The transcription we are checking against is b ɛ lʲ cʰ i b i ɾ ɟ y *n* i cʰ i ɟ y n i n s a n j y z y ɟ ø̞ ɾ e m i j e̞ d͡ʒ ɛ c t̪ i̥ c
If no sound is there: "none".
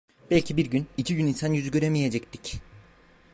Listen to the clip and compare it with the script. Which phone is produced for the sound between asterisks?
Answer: n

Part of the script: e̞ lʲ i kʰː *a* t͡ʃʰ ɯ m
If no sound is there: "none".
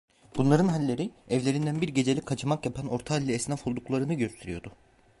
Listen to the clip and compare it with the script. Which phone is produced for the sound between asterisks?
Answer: a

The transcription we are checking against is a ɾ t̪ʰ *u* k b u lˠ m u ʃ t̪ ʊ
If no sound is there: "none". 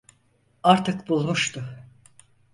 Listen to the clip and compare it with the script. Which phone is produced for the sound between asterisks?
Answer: ɯ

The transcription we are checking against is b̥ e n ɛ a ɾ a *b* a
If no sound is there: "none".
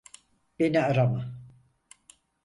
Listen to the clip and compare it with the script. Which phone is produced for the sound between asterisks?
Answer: m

